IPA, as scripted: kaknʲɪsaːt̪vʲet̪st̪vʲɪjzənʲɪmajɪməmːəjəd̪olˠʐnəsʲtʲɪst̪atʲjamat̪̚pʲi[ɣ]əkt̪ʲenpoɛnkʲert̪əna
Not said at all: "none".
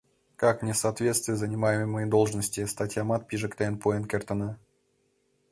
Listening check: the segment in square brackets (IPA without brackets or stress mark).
ʐ